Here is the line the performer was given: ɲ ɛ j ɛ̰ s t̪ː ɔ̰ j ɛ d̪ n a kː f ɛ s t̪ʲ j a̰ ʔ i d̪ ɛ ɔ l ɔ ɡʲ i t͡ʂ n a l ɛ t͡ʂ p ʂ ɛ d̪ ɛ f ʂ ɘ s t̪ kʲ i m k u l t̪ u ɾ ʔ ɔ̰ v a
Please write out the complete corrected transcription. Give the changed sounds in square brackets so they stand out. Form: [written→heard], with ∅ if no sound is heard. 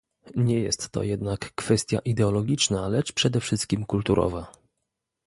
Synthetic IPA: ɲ ɛ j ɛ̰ s t̪ː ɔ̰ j ɛ d̪ n a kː f ɛ s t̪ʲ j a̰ ʔ i d̪ ɛ ɔ l ɔ ɡʲ i t͡ʂ n a l ɛ t͡ʂ p ʂ ɛ d̪ ɛ f ʂ ɘ s t̪ kʲ i m k u l t̪ u ɾ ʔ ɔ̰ v a

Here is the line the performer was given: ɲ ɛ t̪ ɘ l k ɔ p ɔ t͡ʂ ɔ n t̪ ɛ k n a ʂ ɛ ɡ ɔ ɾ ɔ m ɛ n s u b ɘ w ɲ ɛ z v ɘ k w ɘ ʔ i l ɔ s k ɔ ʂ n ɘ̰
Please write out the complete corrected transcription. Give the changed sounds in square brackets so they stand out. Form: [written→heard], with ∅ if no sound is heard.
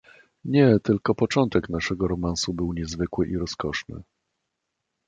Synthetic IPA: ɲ ɛ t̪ ɘ l k ɔ p ɔ t͡ʂ ɔ n t̪ ɛ k n a ʂ ɛ ɡ ɔ ɾ ɔ m [ɛ→a] n s u b ɘ w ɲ ɛ z v ɘ k w ɘ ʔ i [l→ɾ] ɔ s k ɔ ʂ n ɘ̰

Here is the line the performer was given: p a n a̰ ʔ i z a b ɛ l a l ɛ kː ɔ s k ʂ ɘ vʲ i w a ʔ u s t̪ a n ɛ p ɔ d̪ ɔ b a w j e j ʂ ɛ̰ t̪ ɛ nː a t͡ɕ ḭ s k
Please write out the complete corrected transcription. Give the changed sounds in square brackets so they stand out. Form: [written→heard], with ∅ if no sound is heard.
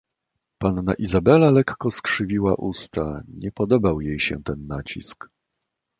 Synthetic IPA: p a [n→nː] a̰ ʔ i z a b ɛ l a l ɛ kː ɔ s k ʂ ɘ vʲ i w a ʔ u s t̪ a [n→ɲ] ɛ p ɔ d̪ ɔ b a w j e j [ʂ→ɕ] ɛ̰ t̪ ɛ nː a t͡ɕ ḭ s k

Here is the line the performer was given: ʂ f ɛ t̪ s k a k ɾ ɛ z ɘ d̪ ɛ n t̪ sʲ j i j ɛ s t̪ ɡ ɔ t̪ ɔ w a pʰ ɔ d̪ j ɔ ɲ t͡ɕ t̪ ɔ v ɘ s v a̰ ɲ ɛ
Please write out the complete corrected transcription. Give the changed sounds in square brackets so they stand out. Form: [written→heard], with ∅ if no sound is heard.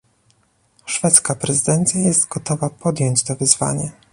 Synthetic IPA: ʂ f ɛ t̪ s k a [k→p] ɾ ɛ z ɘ d̪ ɛ n t̪ sʲ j [i→a] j ɛ s t̪ ɡ ɔ t̪ ɔ [w→v] a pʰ ɔ d̪ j ɔ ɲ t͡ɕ t̪ ɔ v ɘ [s→z] v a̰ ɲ ɛ

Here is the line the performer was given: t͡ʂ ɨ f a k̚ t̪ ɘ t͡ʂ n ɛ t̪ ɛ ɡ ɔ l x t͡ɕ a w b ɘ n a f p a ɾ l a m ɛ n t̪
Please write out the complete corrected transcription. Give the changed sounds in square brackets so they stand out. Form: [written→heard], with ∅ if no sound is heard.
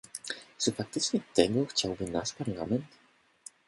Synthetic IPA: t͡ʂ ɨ f a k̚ t̪ ɘ t͡ʂ [n→ɲ] ɛ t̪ ɛ ɡ ɔ [l→∅] x t͡ɕ a w b ɘ n a [f→ʂ] p a ɾ l a m ɛ n t̪

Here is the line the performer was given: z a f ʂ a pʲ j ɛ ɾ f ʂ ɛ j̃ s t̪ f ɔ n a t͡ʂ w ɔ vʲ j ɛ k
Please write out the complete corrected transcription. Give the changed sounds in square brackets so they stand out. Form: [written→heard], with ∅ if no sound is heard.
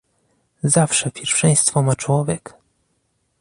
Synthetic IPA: z a f ʂ [a→ɛ] pʲ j ɛ ɾ f ʂ ɛ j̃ s t̪ f ɔ [n→m] a t͡ʂ w ɔ vʲ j ɛ k

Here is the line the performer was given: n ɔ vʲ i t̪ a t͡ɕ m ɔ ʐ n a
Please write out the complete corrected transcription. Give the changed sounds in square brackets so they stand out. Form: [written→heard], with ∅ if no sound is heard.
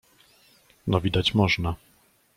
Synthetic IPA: n ɔ vʲ i [t̪→d̪] a t͡ɕ m ɔ ʐ n a

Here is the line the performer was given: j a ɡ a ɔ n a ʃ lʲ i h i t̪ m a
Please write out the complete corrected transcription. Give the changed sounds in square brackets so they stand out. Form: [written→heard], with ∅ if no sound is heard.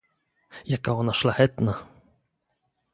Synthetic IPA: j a [ɡ→k] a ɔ n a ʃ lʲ [i→a] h [i→ɛ] t̪ [m→n] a

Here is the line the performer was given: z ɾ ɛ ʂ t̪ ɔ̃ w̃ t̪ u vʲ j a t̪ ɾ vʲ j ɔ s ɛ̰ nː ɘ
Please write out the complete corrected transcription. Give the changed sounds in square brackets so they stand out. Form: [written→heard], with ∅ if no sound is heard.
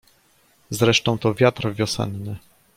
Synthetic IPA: z ɾ ɛ ʂ t̪ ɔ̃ w̃ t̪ [u→ɔ] vʲ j a t̪ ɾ vʲ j ɔ s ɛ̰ nː ɘ

